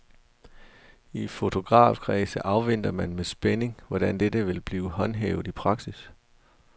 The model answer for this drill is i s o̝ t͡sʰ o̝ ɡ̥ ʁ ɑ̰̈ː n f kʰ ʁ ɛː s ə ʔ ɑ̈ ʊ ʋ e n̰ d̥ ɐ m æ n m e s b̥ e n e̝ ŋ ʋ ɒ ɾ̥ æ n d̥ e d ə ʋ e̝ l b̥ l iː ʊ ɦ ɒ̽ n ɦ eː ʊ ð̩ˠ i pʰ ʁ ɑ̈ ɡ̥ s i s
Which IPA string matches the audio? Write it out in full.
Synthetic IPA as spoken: i f o̝ t͡sʰ o̝ ɡ̥ ʁ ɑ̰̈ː f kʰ ʁ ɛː s ə ʔ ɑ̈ ʊ ʋ e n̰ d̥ ɐ m æ n m e s b̥ e n e̝ ŋ ʋ ɒ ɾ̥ æ n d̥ e d ə ʋ e̝ l b̥ l iː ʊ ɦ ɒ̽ n ɦ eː ʊ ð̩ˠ i pʰ ʁ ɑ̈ ɡ̥ s i s